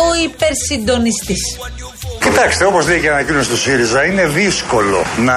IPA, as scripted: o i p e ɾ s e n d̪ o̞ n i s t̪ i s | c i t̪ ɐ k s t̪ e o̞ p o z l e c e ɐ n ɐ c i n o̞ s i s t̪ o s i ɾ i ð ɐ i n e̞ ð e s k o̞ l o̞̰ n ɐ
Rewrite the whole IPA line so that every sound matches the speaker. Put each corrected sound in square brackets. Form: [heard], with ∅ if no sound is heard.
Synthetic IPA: o i p e ɾ s [i] n d̪ o̞ n i s t̪ i s | c i t̪ ɐ k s t̪ e o̞ p o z l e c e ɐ n ɐ c i n o̞ s i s t̪ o s i ɾ i [z] ɐ i n e̞ ð [i] s k o̞ l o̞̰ n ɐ